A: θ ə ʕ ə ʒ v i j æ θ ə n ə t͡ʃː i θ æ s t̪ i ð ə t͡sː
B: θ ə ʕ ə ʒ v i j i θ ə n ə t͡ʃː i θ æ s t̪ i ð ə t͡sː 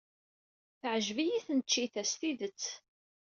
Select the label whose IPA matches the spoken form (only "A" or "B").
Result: B